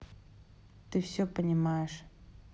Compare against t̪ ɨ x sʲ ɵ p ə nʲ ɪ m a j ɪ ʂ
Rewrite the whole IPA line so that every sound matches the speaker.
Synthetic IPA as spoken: t̪ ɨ f sʲ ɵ p ə nʲ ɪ m a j ɪ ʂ